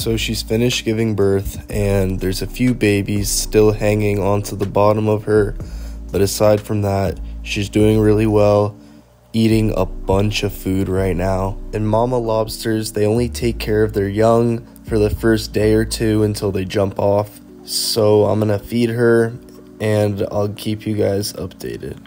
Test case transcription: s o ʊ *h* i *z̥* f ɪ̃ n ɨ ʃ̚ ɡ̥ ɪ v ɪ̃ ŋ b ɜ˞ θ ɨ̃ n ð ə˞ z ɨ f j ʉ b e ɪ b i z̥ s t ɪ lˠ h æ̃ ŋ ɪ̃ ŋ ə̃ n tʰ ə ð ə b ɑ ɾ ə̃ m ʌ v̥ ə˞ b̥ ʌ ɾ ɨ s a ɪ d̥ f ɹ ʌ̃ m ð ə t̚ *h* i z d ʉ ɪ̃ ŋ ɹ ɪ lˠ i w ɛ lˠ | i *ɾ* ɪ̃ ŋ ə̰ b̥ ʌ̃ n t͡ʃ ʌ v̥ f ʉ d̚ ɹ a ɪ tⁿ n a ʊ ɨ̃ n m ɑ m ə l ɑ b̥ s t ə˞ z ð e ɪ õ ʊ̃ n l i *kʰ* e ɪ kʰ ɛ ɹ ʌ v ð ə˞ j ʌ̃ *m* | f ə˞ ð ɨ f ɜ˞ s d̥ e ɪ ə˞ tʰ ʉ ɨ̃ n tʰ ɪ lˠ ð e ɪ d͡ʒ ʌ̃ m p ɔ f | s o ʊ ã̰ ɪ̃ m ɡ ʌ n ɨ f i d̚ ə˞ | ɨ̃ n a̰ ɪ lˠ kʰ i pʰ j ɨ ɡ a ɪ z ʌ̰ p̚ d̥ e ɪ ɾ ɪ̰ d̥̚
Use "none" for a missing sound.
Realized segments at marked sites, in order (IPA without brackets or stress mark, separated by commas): ʃ, z̥, ʃ, ɾ, tʰ, ŋ